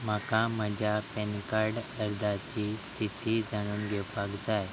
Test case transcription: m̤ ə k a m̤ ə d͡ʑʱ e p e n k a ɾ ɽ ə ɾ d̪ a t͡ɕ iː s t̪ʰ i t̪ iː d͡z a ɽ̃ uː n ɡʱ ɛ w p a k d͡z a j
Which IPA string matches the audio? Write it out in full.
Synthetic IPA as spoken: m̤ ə k a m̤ ə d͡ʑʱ a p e n k a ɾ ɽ ə ɾ d̪ a t͡ɕ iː s t̪ʰ i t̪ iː d͡z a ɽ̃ uː n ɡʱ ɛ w p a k d͡z a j